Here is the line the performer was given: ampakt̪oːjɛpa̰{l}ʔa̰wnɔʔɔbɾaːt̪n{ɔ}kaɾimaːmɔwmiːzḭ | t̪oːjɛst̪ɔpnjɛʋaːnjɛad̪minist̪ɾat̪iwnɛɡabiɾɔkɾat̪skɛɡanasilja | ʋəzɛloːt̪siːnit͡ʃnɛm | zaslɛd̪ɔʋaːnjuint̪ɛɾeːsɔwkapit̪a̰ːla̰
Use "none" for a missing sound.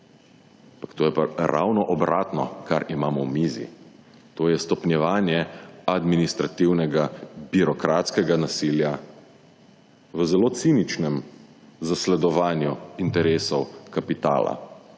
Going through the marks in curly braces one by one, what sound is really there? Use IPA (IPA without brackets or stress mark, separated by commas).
ɾ, ɔ